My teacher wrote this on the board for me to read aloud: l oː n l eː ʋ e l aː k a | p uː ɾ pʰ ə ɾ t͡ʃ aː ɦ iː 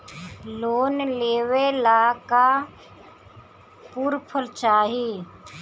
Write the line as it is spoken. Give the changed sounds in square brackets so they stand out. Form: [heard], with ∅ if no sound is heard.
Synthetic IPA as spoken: l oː n l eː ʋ e l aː k a | p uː ɾ pʰ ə [l] t͡ʃ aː ɦ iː

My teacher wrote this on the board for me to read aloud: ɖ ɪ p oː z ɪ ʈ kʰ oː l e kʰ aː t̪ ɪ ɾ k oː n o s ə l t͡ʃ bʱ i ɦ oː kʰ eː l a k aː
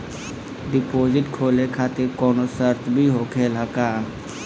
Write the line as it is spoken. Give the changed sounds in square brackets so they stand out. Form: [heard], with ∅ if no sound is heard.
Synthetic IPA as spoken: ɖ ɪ p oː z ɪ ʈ kʰ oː l e kʰ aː t̪ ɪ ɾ k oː n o s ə [ɾ] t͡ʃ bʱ i ɦ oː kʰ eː l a k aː

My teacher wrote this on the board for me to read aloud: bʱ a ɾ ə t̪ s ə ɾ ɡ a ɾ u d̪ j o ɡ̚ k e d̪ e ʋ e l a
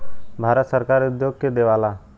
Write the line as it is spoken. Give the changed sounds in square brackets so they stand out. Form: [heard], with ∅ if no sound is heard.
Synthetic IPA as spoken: bʱ a ɾ ə t̪ s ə ɾ [k] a ɾ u d̪ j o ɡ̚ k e d̪ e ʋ [a] l a

